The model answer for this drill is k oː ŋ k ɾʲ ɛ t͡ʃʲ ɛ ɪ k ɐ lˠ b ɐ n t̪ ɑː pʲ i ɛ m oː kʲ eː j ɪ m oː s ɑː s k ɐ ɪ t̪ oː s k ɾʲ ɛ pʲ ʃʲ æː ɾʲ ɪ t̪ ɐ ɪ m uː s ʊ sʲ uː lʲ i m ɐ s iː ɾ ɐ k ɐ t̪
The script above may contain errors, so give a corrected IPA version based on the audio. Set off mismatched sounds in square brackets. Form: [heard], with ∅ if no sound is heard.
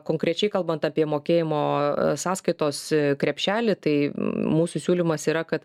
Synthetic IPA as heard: k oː ŋ k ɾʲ ɛ t͡ʃʲ ɛ ɪ k ɐ lˠ b ɐ n t̪ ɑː pʲ i ɛ m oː kʲ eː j ɪ m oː s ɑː s k ɐ ɪ t̪ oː s k ɾʲ ɛ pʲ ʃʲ æː [lʲ] ɪ t̪ ɐ ɪ m uː s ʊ sʲ uː lʲ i m ɐ s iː ɾ ɐ k ɐ t̪